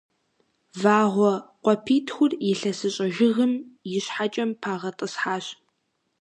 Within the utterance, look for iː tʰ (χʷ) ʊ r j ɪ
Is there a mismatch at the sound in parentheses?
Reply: yes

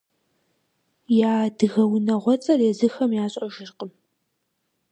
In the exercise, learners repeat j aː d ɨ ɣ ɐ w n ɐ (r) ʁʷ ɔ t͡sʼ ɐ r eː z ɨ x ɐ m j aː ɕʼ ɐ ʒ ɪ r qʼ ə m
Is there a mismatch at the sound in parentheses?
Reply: yes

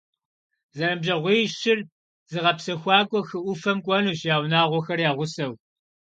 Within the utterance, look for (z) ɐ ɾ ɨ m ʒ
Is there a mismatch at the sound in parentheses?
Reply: no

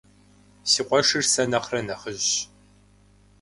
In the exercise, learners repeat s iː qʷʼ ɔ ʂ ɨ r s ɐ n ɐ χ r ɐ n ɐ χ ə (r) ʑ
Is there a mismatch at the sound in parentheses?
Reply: yes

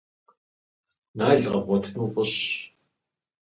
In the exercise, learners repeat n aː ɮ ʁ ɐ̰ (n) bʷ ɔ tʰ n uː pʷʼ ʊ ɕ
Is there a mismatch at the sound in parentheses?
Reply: yes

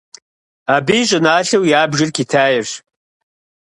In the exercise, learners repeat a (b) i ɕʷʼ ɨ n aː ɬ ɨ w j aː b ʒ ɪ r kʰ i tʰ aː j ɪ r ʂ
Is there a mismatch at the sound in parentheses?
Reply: no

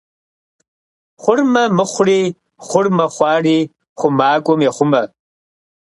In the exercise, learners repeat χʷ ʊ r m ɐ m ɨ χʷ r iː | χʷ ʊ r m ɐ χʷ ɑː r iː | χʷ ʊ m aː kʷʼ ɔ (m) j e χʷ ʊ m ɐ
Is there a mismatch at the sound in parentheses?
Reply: no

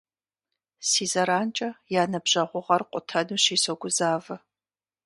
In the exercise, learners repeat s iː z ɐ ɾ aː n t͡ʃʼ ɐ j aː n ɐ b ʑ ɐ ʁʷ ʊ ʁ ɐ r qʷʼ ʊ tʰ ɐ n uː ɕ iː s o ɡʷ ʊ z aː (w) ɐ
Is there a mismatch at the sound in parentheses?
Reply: yes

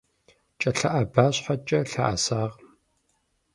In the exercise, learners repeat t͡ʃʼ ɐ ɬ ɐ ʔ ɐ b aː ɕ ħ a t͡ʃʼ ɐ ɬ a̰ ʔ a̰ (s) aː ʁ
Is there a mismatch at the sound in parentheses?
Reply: no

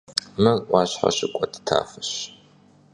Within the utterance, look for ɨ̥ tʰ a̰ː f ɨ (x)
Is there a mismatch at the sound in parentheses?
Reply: yes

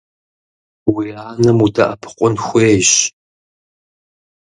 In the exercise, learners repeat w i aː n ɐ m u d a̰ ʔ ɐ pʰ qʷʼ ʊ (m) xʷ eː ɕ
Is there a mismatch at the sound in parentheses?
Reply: yes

